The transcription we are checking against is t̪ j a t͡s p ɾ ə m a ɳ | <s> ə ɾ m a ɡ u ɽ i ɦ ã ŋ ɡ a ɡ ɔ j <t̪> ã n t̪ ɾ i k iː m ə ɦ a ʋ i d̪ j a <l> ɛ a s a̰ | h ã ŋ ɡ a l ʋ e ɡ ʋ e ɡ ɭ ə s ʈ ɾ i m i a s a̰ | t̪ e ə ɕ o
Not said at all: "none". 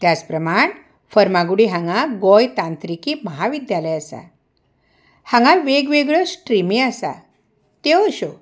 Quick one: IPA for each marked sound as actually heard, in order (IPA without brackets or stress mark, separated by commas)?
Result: f, t̪, l